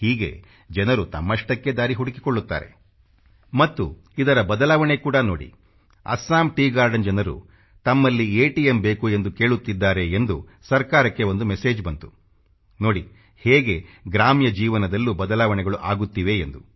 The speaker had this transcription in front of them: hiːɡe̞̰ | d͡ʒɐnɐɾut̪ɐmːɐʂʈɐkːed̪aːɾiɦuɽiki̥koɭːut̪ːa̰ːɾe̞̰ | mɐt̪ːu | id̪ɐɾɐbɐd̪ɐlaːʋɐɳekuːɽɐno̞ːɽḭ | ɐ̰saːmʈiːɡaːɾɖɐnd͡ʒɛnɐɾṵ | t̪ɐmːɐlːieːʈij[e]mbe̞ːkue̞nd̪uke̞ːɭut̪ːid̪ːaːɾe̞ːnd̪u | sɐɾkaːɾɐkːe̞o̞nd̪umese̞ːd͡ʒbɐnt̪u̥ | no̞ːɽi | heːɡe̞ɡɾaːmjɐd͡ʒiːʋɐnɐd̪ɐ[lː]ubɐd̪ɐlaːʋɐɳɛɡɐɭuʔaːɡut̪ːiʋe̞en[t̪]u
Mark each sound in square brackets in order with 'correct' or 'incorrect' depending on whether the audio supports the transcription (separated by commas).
correct, correct, incorrect